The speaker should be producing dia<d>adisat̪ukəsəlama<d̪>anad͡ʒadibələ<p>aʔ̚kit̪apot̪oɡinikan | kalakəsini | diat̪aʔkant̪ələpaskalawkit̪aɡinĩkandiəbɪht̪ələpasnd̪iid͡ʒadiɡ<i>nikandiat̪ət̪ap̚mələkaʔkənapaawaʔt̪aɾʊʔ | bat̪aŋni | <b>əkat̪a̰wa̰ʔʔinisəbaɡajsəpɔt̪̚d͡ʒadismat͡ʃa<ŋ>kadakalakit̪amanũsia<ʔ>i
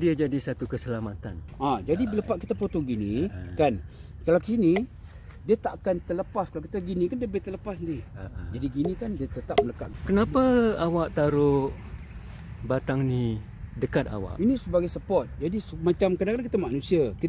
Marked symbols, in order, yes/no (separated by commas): no, no, yes, yes, no, no, no